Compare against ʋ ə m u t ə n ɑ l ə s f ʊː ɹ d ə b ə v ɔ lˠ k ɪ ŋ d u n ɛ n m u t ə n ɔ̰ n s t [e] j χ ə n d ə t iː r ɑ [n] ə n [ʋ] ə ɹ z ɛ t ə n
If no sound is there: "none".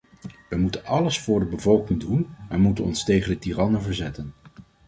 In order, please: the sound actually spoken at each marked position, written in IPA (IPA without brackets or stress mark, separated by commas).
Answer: e, n, v